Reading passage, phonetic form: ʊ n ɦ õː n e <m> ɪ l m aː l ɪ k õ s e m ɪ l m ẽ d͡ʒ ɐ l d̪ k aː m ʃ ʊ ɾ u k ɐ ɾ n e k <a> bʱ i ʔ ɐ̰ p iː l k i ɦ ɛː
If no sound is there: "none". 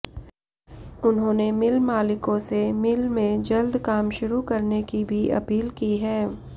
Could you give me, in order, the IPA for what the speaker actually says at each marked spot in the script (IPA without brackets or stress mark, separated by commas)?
m, i